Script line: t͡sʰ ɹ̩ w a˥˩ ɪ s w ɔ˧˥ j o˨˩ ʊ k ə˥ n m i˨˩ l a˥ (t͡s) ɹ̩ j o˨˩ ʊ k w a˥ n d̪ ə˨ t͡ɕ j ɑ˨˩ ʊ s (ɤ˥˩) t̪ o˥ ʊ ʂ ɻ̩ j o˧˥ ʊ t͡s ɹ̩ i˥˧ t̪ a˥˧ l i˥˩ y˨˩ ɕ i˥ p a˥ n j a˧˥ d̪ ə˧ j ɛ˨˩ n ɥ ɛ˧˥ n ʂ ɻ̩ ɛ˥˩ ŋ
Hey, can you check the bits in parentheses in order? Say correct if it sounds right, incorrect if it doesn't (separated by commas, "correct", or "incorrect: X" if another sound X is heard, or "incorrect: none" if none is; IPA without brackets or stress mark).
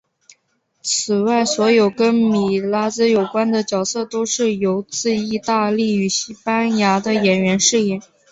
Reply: correct, correct